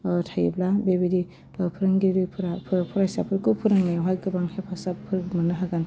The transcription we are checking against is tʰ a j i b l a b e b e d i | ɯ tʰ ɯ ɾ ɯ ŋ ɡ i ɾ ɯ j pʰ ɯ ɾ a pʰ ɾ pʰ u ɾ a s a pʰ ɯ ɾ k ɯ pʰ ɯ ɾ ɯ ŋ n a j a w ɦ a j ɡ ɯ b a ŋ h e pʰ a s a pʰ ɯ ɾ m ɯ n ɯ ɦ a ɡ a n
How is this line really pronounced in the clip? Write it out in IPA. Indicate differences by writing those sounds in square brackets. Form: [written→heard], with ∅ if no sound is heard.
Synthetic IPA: tʰ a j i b l a b e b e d i | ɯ [tʰ→pʰ] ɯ ɾ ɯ ŋ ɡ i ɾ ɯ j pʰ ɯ ɾ a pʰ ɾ pʰ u ɾ a s a pʰ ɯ ɾ k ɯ pʰ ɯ ɾ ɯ ŋ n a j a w ɦ a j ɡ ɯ b a ŋ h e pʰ a s a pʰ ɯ ɾ m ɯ n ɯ ɦ a ɡ a n

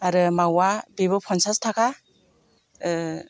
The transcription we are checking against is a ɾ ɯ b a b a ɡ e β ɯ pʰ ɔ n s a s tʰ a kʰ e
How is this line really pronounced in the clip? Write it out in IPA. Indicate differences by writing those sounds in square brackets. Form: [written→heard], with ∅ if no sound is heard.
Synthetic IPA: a ɾ ɯ [b→m] a [b→w] a [ɡ→b] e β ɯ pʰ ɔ n s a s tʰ a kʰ [e→a]

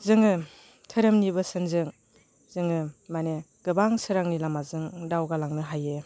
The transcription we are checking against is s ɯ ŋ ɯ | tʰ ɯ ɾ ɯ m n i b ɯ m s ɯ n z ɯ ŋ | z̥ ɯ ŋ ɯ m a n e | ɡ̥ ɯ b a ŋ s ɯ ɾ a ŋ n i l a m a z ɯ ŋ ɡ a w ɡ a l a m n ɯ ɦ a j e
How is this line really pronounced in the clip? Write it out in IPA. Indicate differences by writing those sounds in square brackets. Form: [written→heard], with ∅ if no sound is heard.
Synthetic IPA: [s→z] ɯ ŋ ɯ | tʰ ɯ ɾ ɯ m n i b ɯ [m→∅] s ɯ n z ɯ ŋ | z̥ ɯ ŋ ɯ m a n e | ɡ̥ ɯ b a ŋ s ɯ ɾ a ŋ n i l a m a z ɯ ŋ [ɡ→d] a w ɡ a l a [m→ŋ] n ɯ ɦ a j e

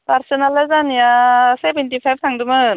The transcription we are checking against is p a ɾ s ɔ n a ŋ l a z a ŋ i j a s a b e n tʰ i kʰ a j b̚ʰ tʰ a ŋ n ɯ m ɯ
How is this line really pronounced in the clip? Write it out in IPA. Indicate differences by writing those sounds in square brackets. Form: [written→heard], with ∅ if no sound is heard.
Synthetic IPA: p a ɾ s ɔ n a [ŋ→∅] l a z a [ŋ→n] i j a s [a→e] b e n [tʰ→t] i [kʰ→pʰ] a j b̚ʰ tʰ a ŋ [n→d] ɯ m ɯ

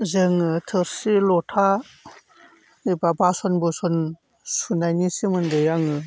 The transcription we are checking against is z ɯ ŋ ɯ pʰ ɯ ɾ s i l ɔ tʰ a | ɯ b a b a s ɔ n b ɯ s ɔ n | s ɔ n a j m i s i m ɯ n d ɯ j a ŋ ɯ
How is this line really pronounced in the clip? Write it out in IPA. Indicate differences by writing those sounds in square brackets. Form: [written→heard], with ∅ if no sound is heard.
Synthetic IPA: z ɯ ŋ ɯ [pʰ→tʰ] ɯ ɾ s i l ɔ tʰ a | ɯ b a b a s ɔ n b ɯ s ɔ n | s [ɔ→u] n a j [m→n] i s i m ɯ n d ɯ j a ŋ ɯ

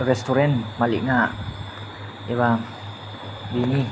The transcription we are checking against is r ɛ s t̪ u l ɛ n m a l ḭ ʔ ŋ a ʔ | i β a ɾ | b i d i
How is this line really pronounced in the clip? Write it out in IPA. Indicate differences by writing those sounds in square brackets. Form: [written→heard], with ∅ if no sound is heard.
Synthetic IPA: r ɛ s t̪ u [l→ɾ] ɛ n m a l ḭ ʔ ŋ a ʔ | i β a [ɾ→∅] | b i [d→n] i

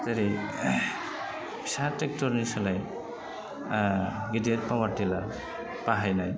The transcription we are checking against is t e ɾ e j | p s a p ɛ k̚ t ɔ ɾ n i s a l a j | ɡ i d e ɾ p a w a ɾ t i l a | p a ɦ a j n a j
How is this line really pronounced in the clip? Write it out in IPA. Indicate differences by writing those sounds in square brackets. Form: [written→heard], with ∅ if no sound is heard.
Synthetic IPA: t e ɾ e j | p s a [p→t] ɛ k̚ t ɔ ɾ n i s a l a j | ɡ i d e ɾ p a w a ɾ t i l a | p a ɦ a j n a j

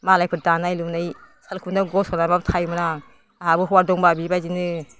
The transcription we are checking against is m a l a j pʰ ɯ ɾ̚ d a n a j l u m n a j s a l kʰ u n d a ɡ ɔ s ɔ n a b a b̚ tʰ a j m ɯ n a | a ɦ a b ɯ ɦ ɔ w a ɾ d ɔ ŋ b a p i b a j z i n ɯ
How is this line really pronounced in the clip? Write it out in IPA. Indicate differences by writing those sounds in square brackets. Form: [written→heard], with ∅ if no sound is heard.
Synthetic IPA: m a l a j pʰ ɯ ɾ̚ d a n a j l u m n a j s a l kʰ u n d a ɡ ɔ s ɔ n a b a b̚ tʰ a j m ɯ n a | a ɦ a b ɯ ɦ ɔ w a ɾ d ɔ ŋ b a [p→b] i b a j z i n ɯ

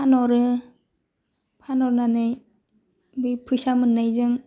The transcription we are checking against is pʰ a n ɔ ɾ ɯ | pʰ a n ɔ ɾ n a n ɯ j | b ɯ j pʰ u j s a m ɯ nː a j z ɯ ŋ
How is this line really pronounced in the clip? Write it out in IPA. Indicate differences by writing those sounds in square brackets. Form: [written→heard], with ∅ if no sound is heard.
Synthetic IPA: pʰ a n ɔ ɾ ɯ | pʰ a n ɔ ɾ n a n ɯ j | b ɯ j pʰ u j s a m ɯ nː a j z ɯ ŋ

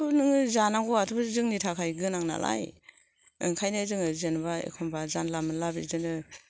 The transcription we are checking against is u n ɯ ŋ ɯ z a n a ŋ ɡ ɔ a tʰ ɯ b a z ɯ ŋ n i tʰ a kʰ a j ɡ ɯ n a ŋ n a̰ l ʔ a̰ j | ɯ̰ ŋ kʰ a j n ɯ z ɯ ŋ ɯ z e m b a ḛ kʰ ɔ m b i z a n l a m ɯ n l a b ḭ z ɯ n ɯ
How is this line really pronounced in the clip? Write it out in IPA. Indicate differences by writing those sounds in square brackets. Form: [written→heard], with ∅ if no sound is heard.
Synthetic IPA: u n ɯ ŋ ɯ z a n a ŋ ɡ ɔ a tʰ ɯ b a z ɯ ŋ n i tʰ a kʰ a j ɡ ɯ n a ŋ n a̰ l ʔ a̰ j | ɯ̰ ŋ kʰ a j n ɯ z ɯ ŋ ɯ z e [m→n] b a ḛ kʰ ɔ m b [i→a] z a n l a m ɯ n l a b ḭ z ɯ n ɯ

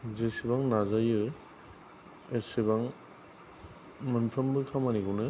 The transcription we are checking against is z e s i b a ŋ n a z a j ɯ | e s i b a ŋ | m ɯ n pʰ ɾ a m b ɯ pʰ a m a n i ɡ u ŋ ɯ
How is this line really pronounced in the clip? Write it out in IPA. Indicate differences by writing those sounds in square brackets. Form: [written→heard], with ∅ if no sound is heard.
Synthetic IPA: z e s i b a ŋ n a z a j ɯ | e s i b a ŋ | m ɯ n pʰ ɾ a m b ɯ [pʰ→kʰ] a m a n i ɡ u [ŋ→n] ɯ

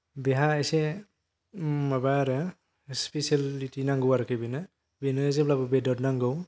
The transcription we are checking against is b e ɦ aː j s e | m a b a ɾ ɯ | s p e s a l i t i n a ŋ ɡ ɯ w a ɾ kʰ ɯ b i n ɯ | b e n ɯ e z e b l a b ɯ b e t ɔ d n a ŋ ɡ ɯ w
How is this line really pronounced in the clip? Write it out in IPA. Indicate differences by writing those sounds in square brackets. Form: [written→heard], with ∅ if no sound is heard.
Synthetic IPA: b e ɦ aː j s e | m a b a ɾ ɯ | s p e s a l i t i n a ŋ ɡ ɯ w a ɾ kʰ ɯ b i n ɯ | b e n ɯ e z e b l a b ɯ b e [t→d] ɔ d n a ŋ ɡ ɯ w

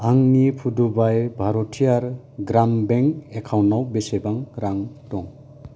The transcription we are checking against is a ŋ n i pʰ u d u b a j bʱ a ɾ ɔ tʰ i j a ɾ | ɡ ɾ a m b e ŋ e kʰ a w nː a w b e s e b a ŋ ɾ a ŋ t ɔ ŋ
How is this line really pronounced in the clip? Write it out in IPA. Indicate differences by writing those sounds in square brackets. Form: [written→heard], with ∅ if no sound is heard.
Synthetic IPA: a ŋ n i pʰ u d u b a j bʱ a ɾ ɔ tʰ i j a ɾ | ɡ ɾ a m b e ŋ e kʰ a w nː a w b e s e b a ŋ ɾ a ŋ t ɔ ŋ

